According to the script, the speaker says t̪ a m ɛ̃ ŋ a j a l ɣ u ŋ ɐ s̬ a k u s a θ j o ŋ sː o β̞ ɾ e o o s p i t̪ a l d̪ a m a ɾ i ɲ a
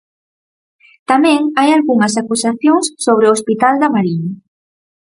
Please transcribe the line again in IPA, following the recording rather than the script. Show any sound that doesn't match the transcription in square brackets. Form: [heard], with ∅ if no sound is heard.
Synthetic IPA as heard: t̪ a m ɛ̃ ŋ a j a l ɣ u ŋ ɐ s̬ a k u s a θ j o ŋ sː o β̞ ɾ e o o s p i t̪ a l d̪ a m a ɾ i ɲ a